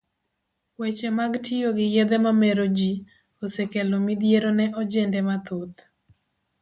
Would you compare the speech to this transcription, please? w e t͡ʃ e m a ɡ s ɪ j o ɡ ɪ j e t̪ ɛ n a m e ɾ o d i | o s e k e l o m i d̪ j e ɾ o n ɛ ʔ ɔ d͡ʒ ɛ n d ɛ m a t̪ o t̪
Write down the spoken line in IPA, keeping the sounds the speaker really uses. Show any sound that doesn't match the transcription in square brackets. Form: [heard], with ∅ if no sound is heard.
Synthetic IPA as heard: w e t͡ʃ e m a ɡ [t] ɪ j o ɡ ɪ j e [d̪] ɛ [m] a m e ɾ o [d͡ʒ] i | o s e k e l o m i d̪ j e ɾ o n ɛ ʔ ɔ d͡ʒ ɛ n d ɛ m a t̪ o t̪